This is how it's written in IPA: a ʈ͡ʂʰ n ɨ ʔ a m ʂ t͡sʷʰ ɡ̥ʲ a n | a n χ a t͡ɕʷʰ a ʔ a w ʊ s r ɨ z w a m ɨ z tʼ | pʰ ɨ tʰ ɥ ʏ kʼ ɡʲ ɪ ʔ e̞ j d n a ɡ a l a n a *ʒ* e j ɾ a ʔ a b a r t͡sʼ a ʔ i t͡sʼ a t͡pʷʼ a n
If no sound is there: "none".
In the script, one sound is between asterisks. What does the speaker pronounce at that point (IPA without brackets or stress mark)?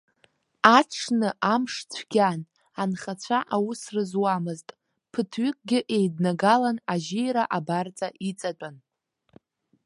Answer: ʒ